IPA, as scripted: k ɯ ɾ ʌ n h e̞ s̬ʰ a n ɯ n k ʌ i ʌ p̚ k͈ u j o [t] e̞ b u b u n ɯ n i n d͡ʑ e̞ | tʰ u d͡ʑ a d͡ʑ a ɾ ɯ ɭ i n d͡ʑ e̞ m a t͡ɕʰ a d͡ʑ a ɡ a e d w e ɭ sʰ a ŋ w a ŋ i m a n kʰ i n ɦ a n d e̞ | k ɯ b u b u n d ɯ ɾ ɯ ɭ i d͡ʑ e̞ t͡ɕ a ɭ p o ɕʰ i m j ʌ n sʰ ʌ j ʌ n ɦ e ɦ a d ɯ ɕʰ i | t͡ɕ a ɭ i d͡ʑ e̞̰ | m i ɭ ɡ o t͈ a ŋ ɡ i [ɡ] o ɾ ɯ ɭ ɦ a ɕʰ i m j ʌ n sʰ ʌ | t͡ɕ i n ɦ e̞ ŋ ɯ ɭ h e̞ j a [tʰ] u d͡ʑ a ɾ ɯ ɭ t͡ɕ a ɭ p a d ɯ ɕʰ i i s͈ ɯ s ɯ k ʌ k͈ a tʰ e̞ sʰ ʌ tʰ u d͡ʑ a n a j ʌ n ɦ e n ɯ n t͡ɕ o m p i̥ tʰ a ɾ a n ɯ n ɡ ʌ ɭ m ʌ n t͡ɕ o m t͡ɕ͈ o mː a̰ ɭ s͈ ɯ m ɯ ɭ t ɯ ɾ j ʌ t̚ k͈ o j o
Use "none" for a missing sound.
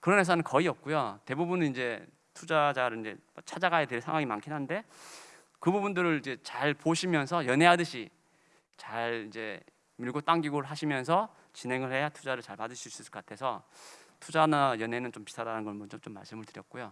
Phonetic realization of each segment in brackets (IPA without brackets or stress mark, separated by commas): t, ɡ, tʰ